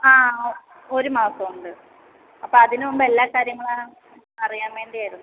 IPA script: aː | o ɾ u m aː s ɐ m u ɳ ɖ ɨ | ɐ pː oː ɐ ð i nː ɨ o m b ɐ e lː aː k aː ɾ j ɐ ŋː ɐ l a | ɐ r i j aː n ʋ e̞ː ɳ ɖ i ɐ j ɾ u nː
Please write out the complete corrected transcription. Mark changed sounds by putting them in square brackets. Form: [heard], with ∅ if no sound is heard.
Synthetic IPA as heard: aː | o ɾ u m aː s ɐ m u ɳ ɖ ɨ | ɐ pː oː ɐ ð i [n] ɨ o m b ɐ e lː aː k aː ɾ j ɐ ŋː ɐ [ɭ] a | ɐ r i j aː n ʋ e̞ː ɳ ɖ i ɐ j ɾ u nː